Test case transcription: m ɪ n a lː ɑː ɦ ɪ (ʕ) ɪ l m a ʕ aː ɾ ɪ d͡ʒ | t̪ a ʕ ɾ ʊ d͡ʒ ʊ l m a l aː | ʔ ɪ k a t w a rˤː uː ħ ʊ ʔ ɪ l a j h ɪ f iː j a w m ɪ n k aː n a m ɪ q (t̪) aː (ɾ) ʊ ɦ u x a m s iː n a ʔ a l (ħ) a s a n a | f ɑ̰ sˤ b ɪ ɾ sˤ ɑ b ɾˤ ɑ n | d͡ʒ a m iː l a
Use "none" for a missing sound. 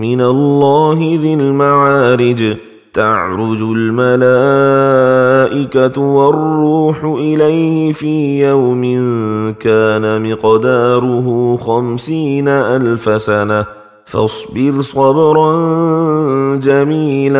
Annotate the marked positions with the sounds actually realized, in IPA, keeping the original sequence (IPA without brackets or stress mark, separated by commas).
ð, d̪, ɾ, f